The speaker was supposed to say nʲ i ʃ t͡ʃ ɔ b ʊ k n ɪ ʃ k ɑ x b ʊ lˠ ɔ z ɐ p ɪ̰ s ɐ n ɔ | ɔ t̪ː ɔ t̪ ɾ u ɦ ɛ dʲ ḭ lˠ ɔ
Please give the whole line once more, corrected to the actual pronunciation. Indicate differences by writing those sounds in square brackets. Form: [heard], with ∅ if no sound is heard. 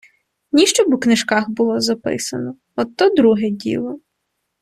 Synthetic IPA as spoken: nʲ i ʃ t͡ʃ ɔ b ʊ k n ɪ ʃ k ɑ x b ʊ lˠ ɔ z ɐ p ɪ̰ s ɐ n ɔ | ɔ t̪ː ɔ [d̪] ɾ u ɦ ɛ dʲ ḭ lˠ ɔ